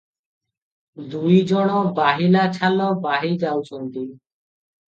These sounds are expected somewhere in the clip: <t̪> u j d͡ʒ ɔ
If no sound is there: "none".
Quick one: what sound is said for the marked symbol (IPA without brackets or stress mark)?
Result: d̪